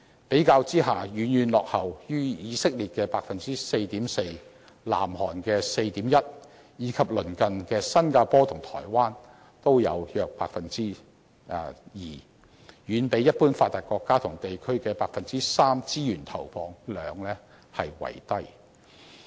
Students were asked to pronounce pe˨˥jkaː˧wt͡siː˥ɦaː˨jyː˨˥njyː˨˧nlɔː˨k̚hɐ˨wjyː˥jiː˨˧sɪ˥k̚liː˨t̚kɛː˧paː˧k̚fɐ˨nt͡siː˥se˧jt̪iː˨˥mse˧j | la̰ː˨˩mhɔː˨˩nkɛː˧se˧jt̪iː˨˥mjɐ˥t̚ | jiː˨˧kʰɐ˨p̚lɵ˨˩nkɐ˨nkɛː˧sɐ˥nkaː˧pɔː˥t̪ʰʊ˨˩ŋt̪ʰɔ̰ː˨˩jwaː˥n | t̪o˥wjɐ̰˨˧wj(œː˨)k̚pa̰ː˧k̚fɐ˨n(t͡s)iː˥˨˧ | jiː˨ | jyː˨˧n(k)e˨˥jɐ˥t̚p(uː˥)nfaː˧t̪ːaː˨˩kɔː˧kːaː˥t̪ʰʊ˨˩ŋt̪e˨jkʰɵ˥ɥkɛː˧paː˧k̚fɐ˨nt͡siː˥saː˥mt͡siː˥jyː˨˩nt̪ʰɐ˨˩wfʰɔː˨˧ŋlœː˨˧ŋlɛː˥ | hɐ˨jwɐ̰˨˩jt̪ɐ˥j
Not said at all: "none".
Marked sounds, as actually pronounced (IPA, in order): œː˨, t͡s, p, uː˥

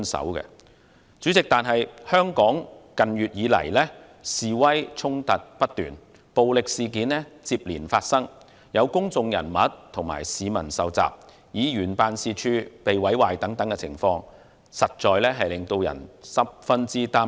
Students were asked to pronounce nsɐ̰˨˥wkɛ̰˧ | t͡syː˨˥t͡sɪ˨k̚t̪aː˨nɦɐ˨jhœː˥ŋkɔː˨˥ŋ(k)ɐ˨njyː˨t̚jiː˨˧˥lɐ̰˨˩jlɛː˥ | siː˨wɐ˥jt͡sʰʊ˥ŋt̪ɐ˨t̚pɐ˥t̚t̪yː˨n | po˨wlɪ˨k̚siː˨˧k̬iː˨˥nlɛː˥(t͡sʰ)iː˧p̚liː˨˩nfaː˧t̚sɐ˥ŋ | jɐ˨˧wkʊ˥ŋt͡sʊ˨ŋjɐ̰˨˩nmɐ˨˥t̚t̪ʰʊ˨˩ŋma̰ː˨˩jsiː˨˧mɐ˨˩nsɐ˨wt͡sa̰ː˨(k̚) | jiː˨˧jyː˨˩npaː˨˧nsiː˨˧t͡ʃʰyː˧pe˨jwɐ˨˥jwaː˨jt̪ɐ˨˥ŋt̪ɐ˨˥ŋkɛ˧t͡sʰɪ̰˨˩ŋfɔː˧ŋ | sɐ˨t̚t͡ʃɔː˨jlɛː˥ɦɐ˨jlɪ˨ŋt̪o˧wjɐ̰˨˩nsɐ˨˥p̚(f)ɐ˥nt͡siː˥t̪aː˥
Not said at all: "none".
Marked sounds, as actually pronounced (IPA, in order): k, t͡s, p̚, f

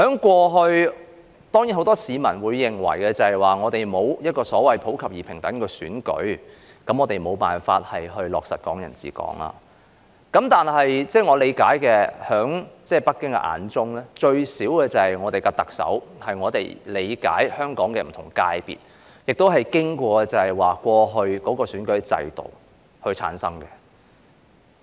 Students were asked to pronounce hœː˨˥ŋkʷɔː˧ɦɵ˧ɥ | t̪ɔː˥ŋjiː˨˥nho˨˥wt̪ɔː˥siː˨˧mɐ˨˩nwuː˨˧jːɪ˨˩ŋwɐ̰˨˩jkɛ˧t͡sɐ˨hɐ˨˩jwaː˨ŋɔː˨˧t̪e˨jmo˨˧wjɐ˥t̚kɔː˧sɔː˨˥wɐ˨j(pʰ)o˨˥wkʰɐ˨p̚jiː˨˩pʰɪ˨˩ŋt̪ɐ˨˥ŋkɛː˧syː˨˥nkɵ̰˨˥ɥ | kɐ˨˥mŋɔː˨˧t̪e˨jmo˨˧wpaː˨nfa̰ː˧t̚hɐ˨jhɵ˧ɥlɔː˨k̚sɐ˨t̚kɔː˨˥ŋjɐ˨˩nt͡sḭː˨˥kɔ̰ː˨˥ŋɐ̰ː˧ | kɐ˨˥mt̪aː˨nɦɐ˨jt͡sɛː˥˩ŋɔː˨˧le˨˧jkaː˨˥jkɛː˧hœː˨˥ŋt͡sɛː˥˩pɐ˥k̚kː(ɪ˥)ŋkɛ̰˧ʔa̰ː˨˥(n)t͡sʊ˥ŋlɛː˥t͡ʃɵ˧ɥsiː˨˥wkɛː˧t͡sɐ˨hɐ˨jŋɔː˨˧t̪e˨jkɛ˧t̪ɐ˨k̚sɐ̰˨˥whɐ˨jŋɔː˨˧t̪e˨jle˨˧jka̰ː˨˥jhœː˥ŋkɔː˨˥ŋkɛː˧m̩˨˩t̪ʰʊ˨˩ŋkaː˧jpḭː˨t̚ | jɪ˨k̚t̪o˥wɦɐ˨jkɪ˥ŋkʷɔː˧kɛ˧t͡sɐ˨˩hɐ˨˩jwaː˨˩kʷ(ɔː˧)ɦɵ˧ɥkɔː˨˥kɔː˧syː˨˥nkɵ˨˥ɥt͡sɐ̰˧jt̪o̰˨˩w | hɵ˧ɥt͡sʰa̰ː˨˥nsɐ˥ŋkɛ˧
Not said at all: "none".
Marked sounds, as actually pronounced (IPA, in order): pʰ, ɪ˥, n, ɔː˧

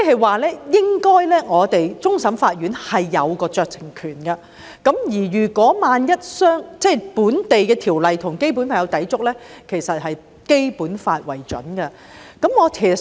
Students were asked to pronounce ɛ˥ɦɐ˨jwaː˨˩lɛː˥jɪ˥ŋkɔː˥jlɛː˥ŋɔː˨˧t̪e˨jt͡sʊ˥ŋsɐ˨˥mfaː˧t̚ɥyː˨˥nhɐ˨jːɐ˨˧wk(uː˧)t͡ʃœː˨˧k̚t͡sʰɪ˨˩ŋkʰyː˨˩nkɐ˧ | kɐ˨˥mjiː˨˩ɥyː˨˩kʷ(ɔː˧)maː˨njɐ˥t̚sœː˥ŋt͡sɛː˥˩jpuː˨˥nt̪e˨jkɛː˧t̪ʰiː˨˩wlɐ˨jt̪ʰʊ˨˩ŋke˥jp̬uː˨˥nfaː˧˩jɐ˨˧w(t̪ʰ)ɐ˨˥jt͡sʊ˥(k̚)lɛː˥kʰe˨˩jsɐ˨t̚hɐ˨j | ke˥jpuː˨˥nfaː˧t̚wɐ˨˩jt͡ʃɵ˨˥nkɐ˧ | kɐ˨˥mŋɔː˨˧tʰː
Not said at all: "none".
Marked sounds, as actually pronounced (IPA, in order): ɔː˧, ɔː˨˥, t̪, k̚

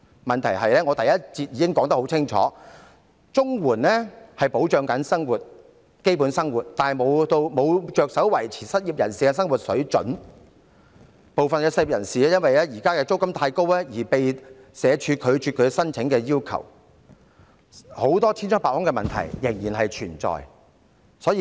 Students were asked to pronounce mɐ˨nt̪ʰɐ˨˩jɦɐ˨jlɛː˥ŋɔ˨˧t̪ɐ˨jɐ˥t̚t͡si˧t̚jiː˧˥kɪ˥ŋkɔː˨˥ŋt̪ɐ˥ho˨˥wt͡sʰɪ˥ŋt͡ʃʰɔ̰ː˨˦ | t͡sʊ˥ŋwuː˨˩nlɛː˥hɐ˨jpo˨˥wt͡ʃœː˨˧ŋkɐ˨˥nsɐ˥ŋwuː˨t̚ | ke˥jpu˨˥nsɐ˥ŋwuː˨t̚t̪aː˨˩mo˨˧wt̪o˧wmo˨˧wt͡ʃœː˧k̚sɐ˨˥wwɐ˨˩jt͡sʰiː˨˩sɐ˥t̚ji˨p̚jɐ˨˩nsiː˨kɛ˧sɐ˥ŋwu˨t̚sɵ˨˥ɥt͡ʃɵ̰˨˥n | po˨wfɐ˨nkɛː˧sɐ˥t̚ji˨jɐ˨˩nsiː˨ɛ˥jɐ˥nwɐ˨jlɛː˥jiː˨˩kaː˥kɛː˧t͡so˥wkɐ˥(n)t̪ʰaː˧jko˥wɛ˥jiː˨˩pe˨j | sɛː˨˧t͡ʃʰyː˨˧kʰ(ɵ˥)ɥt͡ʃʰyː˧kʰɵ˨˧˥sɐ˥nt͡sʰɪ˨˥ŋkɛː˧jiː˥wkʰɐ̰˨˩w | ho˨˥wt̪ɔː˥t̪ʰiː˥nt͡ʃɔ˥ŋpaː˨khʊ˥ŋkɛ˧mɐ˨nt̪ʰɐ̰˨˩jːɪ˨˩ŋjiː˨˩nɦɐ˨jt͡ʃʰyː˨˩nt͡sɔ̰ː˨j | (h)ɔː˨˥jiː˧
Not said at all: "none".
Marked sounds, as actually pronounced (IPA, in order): m, ɵ˨˧, s

